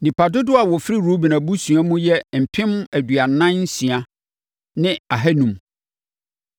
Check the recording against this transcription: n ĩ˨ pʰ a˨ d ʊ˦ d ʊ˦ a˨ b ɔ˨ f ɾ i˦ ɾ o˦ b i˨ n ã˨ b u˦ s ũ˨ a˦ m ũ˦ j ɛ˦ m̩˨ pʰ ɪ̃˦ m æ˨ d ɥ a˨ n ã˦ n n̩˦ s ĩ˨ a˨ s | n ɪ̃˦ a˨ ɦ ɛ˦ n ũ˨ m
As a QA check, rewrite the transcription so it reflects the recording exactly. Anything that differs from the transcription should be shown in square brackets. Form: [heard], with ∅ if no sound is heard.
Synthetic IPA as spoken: n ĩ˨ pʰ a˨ d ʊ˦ d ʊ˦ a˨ [w] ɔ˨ f ɾ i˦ ɾ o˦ b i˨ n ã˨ b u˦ s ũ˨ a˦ m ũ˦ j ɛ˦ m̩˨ pʰ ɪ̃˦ m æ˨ d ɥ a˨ n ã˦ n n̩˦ s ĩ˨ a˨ [∅] | n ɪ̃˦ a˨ ɦ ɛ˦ n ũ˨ m

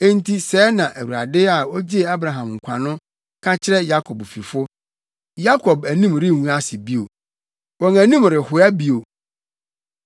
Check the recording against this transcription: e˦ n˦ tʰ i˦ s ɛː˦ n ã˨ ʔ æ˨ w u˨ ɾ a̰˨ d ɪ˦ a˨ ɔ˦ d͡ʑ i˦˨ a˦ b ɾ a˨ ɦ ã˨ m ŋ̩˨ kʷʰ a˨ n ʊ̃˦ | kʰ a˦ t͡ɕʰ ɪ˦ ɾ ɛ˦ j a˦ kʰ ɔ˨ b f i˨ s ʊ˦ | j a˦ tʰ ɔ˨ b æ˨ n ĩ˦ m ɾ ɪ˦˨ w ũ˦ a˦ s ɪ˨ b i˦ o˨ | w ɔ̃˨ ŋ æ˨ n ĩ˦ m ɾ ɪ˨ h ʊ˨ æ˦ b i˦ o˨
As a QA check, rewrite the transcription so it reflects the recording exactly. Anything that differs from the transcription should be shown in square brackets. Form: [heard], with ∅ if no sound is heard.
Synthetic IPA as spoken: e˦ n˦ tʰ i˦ s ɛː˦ n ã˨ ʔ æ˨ w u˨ ɾ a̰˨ d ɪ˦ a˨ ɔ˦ d͡ʑ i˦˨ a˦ b ɾ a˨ ɦ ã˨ m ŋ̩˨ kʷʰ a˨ n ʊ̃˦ | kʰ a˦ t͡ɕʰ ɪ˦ ɾ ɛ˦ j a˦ kʰ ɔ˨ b f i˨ [f] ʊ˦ | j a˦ [kʰ] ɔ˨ b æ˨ n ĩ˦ m ɾ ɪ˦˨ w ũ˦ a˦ s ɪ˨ b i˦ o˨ | w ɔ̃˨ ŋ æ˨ n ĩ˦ m ɾ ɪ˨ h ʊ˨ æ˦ b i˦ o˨

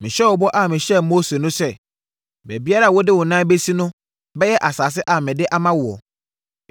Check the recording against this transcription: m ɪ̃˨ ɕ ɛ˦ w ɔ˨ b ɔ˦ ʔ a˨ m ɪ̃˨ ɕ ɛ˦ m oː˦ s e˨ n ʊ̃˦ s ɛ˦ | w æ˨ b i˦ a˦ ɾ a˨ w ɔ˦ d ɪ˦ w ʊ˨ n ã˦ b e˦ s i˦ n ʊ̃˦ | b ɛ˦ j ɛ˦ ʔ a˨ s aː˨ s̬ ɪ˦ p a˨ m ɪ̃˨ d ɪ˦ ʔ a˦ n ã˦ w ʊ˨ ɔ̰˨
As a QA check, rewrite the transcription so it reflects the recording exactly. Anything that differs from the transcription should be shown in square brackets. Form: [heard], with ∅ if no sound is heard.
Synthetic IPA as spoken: m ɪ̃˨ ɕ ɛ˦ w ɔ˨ b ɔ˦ ʔ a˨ m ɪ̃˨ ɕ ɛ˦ m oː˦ s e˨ n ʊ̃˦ s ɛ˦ | [b] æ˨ b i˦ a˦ ɾ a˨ w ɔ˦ d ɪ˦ w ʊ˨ n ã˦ b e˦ s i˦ n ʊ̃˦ | b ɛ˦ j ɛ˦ ʔ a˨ s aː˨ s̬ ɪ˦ [ʔ] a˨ m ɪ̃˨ d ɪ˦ ʔ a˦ [m] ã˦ w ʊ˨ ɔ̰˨

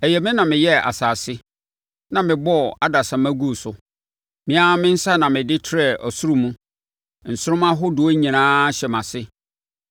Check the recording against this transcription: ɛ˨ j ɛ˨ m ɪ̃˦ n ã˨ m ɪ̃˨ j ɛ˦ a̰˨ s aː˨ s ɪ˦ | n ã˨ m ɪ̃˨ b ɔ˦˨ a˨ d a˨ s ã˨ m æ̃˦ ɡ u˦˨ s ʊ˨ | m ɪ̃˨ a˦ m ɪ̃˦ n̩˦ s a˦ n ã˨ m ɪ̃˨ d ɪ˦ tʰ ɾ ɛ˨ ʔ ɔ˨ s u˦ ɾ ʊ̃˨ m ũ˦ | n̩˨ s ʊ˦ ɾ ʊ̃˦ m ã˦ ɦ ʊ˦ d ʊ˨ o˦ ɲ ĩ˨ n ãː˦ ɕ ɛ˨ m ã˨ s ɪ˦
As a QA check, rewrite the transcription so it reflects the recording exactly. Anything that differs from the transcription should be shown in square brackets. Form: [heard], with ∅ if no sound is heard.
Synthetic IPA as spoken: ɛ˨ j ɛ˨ m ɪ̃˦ n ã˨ m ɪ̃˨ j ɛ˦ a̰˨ s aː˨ s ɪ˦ | n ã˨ m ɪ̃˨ b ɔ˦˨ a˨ d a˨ s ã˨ m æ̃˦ ɡ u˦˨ s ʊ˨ | m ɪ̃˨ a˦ m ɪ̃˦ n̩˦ s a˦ n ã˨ m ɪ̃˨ d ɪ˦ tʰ ɾ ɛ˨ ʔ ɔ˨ s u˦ ɾ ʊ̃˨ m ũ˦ | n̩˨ s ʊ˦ ɾ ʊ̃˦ m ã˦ ɦ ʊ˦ d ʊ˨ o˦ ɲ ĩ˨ n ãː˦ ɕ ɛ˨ m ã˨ s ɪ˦

